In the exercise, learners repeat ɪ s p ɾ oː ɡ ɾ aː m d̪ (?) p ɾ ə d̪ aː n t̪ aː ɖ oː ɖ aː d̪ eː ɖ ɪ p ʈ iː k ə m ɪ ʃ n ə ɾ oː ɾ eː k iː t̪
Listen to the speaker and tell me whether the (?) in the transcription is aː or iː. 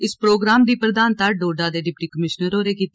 iː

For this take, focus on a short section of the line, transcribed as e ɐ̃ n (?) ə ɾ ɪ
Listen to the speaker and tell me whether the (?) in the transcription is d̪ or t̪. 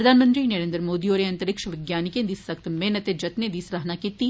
t̪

